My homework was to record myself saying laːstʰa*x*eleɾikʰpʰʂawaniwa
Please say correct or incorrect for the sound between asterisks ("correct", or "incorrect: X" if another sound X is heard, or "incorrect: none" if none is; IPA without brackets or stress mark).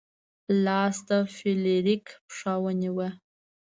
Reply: incorrect: f